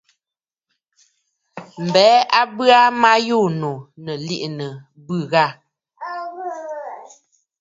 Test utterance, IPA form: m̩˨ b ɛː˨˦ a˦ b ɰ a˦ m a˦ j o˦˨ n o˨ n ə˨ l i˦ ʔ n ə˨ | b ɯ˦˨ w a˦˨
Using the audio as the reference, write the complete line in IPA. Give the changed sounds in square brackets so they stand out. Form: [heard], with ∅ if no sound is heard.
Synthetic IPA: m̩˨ b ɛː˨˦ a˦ b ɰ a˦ m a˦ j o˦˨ n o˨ n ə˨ l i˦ ʔ n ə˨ | b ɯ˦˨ [ɣ] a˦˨

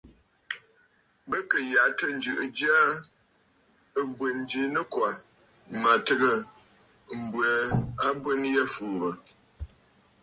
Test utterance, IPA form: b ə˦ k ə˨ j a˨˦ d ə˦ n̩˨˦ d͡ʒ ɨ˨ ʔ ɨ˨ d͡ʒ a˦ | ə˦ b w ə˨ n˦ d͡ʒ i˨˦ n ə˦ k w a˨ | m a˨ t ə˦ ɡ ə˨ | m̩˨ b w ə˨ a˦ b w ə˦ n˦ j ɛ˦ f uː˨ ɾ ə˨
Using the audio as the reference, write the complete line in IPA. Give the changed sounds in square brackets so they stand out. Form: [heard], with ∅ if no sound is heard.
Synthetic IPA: b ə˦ k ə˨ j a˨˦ [t] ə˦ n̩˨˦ d͡ʒ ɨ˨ ʔ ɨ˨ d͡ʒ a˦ | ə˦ b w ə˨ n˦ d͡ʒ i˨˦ n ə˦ k w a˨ | m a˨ t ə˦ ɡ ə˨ | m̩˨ b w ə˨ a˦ b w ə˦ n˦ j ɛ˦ f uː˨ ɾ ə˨

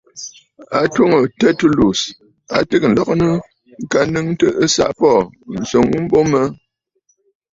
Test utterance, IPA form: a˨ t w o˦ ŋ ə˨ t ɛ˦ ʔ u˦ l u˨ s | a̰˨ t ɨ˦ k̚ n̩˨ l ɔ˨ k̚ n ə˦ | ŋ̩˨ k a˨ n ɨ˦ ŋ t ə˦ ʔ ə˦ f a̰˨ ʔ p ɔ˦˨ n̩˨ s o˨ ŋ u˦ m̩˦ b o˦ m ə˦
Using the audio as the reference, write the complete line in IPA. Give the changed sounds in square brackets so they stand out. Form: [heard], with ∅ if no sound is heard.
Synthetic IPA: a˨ t w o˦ ŋ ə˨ t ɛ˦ [t] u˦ l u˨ s | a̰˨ t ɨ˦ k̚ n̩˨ l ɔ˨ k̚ n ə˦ | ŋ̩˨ k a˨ n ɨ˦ ŋ t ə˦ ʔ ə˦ [s] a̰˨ ʔ p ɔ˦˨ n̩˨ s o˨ ŋ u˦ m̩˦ b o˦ m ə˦

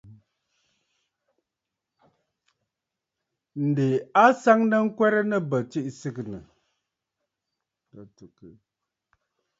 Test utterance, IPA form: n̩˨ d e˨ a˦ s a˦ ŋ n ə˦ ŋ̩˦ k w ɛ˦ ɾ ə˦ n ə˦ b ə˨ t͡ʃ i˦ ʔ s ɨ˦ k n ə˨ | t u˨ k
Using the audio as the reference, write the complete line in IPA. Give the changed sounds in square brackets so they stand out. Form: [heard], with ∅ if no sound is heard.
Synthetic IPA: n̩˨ d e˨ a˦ s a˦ ŋ n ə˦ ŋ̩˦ k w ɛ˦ ɾ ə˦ n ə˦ b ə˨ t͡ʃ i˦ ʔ s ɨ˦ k n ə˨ | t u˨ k

